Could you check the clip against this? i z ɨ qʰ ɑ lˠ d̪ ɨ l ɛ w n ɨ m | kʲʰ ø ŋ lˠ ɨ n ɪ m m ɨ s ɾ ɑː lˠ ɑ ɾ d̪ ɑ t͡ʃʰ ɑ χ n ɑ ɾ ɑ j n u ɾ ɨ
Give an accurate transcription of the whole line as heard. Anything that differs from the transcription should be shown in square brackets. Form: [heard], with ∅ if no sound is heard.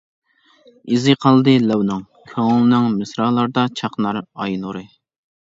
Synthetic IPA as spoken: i z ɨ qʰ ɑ lˠ d̪ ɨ l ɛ w n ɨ [ŋ] | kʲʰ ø ŋ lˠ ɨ n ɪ [ŋ] m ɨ s ɾ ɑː lˠ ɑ ɾ d̪ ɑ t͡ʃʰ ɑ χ n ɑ ɾ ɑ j n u ɾ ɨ